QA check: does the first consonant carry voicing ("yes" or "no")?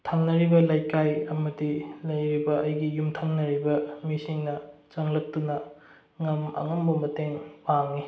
no